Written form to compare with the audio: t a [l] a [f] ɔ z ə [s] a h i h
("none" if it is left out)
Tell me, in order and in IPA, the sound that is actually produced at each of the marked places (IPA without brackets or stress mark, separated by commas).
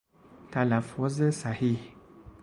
l, f, s